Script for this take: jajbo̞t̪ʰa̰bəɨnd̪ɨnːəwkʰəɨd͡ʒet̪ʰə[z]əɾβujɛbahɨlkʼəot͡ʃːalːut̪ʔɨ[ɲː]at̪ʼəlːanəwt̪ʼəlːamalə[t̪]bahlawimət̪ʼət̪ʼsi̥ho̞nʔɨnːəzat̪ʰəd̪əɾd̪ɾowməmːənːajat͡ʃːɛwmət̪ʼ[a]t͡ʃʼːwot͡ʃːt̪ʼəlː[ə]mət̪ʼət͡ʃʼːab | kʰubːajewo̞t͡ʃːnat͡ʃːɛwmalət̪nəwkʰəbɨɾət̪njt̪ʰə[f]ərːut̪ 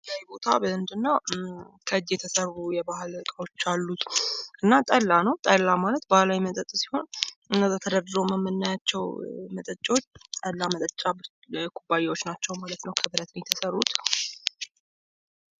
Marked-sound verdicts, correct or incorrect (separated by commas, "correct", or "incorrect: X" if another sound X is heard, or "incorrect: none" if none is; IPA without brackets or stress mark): incorrect: s, incorrect: nː, correct, incorrect: ə, incorrect: a, incorrect: s